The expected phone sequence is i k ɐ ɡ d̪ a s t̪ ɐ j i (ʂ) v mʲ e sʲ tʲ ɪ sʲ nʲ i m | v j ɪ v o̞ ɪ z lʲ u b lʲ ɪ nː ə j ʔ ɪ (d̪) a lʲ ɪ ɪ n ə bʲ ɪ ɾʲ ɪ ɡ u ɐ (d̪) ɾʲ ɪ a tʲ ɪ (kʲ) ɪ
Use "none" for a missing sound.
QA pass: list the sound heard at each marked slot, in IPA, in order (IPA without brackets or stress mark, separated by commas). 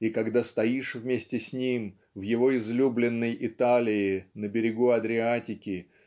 ʂ, t̪, d̪, kʲ